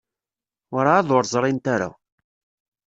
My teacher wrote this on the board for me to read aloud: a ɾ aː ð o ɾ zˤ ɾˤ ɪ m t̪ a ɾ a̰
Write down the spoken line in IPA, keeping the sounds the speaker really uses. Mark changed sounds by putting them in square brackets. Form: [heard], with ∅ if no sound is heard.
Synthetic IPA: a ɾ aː ð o ɾ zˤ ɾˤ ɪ [n] t̪ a ɾ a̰